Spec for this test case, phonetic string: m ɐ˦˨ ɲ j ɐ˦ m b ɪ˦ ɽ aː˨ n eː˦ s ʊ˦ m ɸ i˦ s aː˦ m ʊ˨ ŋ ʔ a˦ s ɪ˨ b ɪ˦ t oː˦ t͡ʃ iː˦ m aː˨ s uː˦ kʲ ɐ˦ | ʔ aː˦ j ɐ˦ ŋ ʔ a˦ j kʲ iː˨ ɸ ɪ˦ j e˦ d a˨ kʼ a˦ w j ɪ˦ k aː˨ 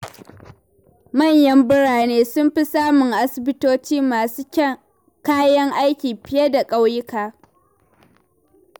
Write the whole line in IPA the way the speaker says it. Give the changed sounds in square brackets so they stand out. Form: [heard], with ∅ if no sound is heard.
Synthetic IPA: m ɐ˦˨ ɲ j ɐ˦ m b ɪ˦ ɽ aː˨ n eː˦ s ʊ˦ m ɸ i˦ s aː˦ m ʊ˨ ŋ ʔ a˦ s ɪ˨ b ɪ˦ t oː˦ t͡ʃ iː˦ m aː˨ s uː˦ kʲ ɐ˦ | [k] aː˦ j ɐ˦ ŋ ʔ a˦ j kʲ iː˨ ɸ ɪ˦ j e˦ d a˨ kʼ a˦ w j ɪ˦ k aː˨

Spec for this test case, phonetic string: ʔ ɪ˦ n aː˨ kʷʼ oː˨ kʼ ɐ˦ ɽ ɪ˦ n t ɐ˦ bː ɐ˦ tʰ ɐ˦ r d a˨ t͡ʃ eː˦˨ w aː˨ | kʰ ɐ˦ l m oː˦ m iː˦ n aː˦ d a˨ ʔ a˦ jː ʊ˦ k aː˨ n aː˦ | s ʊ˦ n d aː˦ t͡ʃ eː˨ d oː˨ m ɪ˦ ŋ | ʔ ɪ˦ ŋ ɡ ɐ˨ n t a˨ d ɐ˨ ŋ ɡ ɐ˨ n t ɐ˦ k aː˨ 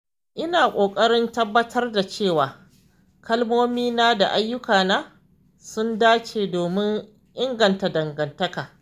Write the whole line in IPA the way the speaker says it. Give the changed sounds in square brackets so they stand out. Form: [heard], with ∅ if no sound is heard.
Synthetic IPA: ʔ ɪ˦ n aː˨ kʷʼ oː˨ kʼ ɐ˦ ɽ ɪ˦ n t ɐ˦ bː ɐ˦ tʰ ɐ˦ r d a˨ t͡ʃ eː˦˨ w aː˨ | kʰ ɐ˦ l m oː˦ m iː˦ n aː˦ d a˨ ʔ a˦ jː ʊ˦ k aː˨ n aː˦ | s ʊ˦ n d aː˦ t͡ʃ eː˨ d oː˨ m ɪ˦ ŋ | ʔ ɪ˦ ŋ ɡ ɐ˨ n t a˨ d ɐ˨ ŋ ɡ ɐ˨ n t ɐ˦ k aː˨

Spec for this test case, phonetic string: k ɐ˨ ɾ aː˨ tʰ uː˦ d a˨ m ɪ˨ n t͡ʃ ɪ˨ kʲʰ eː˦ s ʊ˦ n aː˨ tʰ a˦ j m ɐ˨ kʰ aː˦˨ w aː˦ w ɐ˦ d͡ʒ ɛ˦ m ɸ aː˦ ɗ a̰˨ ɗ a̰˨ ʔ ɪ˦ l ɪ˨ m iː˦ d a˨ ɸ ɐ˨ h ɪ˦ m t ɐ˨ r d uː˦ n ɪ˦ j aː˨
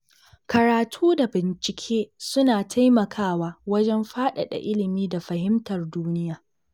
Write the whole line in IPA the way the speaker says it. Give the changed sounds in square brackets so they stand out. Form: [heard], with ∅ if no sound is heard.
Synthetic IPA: k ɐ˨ ɾ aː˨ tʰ uː˦ d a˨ [b] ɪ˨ n t͡ʃ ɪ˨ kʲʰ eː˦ s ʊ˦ n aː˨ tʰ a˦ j m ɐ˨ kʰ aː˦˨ w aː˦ w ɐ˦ d͡ʒ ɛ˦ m ɸ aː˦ ɗ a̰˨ ɗ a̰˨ ʔ ɪ˦ l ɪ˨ m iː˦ d a˨ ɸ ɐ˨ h ɪ˦ m t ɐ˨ r d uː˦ n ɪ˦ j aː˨

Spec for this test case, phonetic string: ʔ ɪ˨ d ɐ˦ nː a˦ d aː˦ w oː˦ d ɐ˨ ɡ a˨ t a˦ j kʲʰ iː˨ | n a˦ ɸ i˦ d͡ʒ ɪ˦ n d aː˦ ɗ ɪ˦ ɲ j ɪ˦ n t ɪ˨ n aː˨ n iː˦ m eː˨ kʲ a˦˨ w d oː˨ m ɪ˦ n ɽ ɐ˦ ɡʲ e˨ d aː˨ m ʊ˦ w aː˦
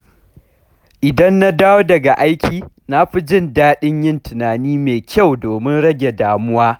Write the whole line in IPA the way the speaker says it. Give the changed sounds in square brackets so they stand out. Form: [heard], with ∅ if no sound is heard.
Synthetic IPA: ʔ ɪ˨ d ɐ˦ nː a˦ d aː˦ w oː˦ d ɐ˨ ɡ a˨ [ʔ] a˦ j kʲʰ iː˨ | n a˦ ɸ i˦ d͡ʒ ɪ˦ n d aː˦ ɗ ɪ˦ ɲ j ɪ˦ n t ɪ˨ n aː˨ n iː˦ m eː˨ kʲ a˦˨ w d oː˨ m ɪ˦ n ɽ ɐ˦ ɡʲ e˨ d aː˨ m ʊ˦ w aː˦

